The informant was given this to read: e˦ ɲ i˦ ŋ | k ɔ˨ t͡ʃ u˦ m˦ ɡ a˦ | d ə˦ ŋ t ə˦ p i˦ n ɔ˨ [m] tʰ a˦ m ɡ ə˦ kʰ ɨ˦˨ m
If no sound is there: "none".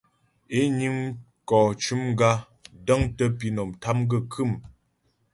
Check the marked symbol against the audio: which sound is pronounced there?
m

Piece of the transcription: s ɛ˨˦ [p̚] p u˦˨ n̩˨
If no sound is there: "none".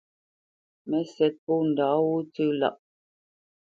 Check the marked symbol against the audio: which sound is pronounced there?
t̚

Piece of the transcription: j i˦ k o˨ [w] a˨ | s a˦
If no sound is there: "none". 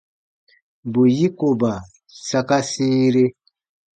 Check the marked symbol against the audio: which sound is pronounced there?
b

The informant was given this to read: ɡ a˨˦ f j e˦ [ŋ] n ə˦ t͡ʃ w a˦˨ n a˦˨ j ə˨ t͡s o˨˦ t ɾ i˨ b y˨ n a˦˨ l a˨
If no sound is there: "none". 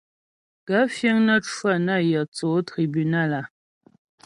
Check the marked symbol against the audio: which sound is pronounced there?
ŋ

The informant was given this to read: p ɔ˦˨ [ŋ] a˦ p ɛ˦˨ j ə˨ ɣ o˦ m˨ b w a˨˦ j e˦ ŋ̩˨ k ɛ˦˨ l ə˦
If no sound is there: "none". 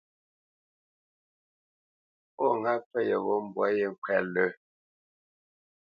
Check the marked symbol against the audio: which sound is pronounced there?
ŋ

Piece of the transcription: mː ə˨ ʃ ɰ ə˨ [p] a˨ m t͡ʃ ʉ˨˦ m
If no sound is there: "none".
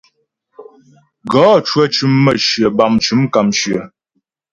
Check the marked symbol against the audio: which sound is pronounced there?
b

